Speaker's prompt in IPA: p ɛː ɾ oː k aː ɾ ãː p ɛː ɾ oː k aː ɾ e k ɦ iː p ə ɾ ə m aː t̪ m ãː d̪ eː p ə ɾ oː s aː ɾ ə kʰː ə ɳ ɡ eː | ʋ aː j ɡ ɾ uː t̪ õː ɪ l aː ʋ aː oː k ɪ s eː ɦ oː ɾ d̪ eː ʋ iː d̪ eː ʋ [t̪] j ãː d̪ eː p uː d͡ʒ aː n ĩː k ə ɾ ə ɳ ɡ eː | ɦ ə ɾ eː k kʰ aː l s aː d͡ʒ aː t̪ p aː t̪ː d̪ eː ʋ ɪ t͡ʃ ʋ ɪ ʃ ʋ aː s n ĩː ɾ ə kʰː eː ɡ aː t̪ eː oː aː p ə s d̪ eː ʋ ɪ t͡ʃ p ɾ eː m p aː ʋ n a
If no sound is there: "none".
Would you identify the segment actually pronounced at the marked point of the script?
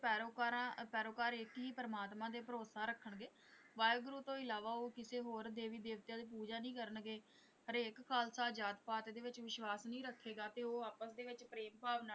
t̪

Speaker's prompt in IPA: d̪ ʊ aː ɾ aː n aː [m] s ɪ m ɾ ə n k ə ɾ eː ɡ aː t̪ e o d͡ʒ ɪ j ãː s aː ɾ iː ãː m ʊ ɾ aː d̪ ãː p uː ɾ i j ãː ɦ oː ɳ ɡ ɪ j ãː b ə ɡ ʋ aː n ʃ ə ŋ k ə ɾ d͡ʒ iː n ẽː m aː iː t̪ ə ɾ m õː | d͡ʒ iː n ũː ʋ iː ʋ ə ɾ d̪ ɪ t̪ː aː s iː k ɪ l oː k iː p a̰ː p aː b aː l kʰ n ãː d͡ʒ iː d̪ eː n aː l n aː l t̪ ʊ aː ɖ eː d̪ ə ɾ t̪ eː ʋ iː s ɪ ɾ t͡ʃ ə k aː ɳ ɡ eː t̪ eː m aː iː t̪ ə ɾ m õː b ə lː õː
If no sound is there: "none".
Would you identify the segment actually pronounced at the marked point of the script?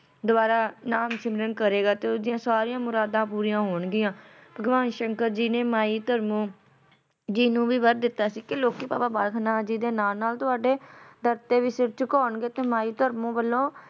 m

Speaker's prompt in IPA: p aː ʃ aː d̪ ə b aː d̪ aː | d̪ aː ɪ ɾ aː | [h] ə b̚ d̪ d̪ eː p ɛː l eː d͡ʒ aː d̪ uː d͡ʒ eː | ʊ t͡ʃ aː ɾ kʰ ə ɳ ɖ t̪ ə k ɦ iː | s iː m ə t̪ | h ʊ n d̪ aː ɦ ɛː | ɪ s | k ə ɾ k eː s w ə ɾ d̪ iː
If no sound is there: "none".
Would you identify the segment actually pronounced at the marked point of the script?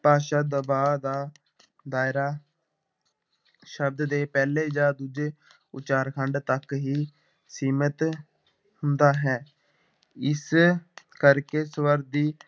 ʃ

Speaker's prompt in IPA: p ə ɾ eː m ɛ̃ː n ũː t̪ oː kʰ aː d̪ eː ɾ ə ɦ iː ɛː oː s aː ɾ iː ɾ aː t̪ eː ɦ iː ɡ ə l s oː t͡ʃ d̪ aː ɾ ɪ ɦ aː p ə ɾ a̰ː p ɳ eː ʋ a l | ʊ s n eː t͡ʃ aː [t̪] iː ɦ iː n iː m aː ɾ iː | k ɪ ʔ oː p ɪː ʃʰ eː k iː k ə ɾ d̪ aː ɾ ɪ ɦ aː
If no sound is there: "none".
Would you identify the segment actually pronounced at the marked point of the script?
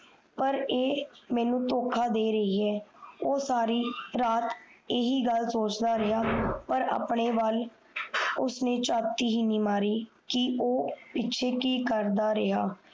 t̪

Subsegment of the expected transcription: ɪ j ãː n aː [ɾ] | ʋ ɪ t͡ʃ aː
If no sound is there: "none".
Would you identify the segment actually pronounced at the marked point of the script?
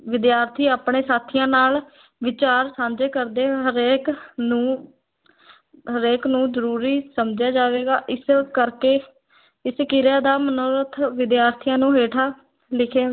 l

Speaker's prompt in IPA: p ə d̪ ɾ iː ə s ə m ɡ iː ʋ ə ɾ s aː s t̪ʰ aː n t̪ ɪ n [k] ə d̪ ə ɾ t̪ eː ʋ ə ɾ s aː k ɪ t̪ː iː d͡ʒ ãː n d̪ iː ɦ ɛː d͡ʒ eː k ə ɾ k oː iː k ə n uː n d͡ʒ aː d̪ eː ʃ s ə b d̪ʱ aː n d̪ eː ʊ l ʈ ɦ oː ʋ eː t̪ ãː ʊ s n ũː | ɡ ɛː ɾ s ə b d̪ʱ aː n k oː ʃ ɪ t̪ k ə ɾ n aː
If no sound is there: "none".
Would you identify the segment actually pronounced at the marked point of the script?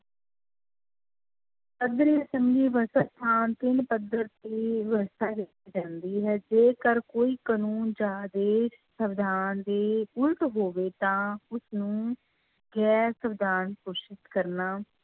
p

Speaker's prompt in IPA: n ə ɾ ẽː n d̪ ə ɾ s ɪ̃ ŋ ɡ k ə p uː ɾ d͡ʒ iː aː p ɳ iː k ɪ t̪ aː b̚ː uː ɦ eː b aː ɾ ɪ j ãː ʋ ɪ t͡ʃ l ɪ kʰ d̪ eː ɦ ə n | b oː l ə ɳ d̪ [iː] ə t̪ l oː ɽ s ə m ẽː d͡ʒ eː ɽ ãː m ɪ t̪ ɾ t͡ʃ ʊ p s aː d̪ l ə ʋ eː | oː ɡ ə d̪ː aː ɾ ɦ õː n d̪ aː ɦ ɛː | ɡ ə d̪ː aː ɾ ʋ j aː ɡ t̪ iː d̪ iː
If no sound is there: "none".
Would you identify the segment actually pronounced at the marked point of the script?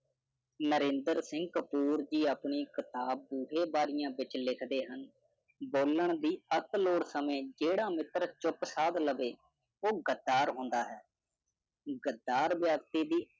iː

